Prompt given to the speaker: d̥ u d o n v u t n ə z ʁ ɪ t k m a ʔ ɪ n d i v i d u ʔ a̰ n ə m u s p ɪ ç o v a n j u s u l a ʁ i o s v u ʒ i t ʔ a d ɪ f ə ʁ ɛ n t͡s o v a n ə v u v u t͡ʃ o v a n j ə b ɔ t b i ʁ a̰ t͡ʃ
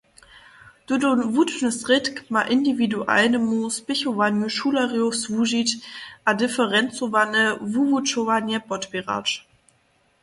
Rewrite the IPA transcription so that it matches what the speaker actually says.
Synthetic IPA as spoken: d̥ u d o n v u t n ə s ʁ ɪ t k m a ʔ ɪ n d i v i d u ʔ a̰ n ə m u s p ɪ ç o v a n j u ʃ u l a ʁ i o s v u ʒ i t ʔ a d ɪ f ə ʁ ɛ n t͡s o v a n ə v u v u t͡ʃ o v a n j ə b ɔ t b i ʁ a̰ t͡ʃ